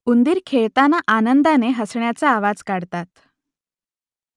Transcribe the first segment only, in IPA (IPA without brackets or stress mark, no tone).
u